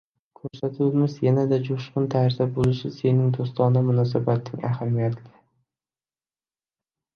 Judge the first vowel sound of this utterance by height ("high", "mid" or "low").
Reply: mid